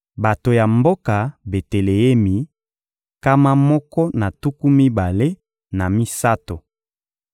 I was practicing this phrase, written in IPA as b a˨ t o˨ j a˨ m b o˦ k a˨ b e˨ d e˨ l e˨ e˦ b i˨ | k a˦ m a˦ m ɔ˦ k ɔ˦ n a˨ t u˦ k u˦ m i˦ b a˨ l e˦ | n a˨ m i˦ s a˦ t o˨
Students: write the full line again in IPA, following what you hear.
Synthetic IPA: b a˨ t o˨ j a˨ m b o˦ k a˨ b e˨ t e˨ l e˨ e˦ m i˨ | k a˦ m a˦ m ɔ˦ k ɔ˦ n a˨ t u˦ k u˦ m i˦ b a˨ l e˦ | n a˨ m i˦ s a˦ t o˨